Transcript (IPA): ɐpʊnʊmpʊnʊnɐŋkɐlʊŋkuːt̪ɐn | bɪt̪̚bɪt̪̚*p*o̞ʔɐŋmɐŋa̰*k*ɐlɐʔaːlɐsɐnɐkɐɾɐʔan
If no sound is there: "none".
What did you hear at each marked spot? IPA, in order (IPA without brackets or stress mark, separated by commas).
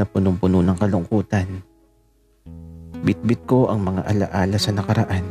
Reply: k, ʔ